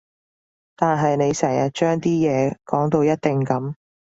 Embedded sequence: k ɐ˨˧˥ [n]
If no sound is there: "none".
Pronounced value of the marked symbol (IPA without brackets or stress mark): m